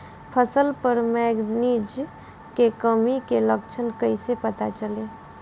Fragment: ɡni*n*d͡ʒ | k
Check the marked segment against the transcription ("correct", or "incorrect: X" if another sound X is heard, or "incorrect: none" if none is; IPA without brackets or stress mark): incorrect: none